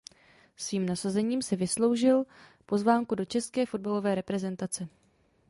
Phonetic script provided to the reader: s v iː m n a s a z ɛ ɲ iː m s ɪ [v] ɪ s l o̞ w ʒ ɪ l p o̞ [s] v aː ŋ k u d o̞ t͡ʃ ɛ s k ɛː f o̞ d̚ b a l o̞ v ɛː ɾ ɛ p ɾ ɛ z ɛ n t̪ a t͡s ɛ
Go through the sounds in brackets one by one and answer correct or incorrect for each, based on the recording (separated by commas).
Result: correct, incorrect